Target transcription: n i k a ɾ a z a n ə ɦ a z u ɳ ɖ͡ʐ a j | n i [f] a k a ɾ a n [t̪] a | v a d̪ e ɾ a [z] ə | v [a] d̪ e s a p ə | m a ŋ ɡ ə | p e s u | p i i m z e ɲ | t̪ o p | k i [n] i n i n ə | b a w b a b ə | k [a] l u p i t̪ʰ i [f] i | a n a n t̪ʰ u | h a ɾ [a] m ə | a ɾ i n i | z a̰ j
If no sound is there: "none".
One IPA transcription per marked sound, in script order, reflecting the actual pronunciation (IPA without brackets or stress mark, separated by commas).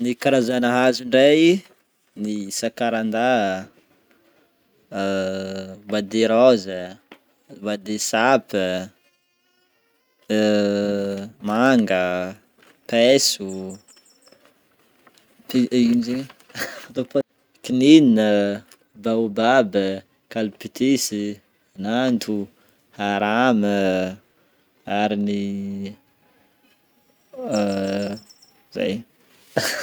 s, d̪, z, a, n, a, s, a